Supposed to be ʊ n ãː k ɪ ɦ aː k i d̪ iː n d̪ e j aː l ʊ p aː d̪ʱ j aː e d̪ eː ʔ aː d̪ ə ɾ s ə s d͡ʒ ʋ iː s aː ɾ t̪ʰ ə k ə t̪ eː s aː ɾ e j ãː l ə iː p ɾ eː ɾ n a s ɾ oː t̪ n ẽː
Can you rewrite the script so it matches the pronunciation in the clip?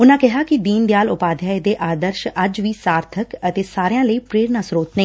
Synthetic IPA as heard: ʊ n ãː k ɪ ɦ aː k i d̪ iː n d̪ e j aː l ʊ p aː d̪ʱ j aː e d̪ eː ʔ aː d̪ ə ɾ ʃ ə d͡ʒ ʋ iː s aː ɾ t̪ʰ ə k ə t̪ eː s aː ɾ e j ãː l ə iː p ɾ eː ɾ n a s ɾ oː t̪ n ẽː